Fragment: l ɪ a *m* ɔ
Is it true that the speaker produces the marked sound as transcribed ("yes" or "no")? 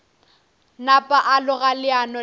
no